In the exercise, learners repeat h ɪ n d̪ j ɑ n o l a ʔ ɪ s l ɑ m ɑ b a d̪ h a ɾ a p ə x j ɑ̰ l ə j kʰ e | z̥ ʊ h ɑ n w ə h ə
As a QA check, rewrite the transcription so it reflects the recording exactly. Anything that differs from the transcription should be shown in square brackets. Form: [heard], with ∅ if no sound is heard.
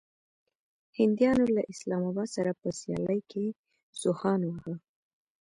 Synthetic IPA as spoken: h ɪ n d̪ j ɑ n o l a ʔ ɪ s l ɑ m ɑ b [ɑ] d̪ [s] a ɾ a p ə [s] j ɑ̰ l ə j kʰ e | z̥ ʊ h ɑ n w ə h ə